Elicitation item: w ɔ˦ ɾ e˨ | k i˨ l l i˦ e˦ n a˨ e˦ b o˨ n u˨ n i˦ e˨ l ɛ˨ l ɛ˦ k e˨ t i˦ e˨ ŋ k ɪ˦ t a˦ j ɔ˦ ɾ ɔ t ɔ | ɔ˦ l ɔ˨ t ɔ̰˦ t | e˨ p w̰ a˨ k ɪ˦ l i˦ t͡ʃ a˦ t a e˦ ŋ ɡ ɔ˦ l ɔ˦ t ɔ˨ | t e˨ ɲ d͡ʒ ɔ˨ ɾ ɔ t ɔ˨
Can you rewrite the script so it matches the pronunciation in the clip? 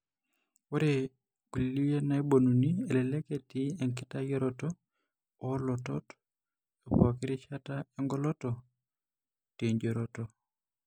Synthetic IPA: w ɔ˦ ɾ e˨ | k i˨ l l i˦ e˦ n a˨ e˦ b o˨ n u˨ n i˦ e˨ l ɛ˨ l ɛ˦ k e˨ t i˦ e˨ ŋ k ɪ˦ t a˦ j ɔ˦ ɾ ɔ t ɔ | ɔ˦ l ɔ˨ t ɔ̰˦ t | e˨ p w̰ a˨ k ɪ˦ ɾ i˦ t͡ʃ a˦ t a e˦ ŋ ɡ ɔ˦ l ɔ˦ t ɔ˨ | t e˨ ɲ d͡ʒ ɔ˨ ɾ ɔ t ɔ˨